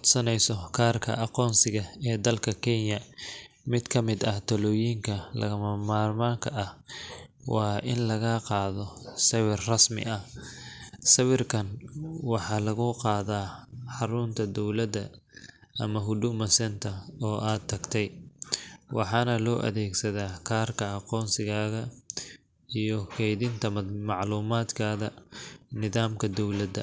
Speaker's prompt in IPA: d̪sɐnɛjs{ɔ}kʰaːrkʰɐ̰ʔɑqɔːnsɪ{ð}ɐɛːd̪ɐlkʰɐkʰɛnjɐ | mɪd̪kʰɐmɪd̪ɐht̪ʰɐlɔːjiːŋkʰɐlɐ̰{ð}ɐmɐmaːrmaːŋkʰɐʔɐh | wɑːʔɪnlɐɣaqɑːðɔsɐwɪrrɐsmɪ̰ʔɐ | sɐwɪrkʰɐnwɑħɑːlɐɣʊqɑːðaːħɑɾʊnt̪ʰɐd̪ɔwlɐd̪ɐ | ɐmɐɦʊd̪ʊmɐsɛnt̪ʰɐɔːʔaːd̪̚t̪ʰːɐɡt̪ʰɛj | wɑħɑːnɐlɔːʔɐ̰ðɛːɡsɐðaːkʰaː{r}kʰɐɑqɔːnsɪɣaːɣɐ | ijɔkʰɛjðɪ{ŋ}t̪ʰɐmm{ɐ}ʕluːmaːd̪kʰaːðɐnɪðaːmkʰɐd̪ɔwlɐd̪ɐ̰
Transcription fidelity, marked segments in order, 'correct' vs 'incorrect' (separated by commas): correct, incorrect, incorrect, correct, incorrect, incorrect